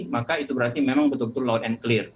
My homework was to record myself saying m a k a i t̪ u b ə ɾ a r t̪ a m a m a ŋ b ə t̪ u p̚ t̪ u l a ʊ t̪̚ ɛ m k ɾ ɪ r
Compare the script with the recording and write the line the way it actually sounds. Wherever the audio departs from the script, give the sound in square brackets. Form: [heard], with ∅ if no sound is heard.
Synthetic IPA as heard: m a k a i t̪ u b ə ɾ a r t̪ [i] m [e] m a ŋ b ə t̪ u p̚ t̪ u l a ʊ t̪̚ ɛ [n] k [l] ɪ r